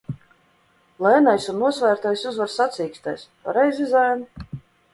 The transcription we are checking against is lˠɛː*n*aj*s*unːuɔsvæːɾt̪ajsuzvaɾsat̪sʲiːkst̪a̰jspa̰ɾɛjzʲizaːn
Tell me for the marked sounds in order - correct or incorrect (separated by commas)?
correct, correct